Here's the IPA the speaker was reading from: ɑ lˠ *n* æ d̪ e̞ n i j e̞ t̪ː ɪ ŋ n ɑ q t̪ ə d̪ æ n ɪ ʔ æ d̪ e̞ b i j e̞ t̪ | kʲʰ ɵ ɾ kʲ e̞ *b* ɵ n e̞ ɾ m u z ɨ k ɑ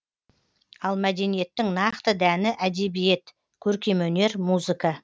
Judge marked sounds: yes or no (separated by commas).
no, no